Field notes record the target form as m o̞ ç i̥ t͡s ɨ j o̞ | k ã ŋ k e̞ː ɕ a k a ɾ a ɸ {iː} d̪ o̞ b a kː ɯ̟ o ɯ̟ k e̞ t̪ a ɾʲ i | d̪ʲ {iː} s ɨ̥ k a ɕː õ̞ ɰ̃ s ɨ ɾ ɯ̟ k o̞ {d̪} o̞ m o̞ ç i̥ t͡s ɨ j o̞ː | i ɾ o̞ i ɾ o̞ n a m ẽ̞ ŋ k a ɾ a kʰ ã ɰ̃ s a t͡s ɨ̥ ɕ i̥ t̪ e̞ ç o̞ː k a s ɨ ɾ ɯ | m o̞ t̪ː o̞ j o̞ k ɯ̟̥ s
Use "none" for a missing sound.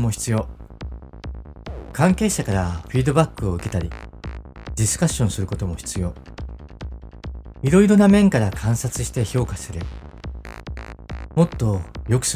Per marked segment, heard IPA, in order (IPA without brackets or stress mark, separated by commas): iː, i, t̪